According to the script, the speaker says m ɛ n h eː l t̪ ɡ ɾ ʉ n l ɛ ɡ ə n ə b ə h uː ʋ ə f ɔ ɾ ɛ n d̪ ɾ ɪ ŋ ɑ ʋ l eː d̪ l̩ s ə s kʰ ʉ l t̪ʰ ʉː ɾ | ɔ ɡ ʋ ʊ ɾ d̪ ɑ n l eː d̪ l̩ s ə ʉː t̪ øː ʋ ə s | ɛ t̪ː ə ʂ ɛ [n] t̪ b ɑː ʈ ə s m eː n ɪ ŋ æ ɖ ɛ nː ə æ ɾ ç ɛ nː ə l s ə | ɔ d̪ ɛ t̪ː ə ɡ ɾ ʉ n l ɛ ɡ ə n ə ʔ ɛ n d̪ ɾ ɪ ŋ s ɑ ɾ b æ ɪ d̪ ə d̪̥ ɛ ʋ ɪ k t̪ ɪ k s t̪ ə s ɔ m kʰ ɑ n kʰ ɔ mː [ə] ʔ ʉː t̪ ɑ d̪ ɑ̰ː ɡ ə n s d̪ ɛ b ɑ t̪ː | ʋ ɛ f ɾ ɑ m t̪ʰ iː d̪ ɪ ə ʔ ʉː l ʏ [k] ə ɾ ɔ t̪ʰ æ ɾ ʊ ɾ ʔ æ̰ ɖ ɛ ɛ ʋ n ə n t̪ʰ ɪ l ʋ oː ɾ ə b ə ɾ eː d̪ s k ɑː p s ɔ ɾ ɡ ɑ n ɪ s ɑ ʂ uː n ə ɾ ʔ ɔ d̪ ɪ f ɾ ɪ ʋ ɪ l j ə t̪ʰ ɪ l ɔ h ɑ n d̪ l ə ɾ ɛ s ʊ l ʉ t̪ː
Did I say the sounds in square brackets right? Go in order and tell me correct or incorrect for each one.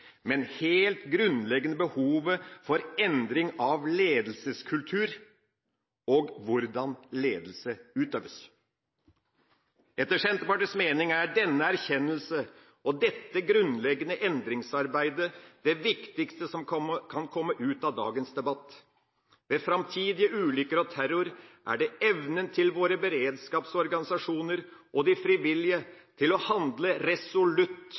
correct, correct, correct

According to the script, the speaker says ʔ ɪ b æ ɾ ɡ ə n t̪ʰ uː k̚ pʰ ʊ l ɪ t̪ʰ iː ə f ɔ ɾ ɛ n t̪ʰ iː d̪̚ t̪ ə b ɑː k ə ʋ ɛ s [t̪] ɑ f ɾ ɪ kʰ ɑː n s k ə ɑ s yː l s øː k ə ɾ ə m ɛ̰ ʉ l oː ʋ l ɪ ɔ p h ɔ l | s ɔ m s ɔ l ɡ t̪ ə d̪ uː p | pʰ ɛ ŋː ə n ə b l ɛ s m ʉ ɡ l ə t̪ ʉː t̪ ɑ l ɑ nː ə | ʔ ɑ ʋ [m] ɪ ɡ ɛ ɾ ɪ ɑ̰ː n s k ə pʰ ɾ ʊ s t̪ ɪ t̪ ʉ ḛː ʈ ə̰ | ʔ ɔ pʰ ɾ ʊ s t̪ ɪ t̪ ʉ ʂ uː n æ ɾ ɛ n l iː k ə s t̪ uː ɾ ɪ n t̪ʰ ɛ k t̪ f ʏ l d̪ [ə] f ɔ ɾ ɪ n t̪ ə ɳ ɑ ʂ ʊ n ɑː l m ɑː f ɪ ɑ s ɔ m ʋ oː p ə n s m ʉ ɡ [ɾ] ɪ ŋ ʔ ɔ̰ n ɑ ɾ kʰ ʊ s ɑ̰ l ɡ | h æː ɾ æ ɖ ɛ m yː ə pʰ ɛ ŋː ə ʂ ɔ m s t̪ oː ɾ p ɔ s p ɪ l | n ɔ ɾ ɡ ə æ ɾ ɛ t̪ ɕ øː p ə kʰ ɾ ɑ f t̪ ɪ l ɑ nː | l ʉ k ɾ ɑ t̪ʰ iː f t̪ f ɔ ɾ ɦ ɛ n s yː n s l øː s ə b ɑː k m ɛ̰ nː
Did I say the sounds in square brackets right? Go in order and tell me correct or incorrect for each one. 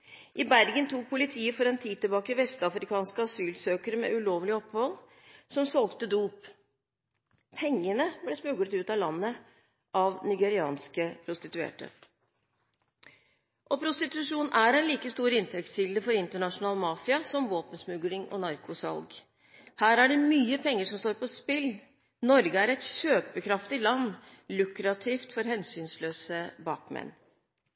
correct, incorrect: n, correct, incorrect: l

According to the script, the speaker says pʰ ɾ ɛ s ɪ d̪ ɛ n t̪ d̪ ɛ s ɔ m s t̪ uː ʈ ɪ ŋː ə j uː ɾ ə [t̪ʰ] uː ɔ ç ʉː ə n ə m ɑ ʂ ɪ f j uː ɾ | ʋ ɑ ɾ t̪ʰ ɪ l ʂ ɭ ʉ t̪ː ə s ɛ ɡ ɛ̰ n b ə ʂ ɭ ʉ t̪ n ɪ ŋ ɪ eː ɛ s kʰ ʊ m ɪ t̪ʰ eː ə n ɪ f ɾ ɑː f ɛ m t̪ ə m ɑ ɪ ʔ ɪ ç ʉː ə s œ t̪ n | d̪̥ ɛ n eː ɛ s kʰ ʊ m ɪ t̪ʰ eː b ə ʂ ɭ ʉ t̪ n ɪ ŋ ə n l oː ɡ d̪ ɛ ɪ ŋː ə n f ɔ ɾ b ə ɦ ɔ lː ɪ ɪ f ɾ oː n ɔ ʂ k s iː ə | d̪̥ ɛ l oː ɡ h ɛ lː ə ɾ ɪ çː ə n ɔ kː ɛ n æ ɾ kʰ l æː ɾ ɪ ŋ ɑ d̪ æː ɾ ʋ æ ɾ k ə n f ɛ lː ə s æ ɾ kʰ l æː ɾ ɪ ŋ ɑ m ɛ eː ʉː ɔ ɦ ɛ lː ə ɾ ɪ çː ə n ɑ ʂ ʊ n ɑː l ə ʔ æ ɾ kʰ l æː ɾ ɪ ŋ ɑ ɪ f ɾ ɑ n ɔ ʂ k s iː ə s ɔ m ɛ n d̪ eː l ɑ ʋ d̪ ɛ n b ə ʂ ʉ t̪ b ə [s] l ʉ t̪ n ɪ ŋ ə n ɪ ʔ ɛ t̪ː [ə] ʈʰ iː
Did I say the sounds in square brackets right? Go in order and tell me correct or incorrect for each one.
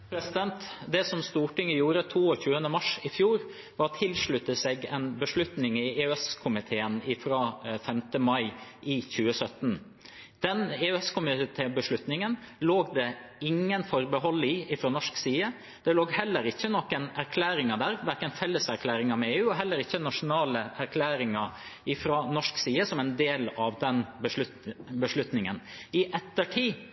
correct, incorrect: ʂ, correct

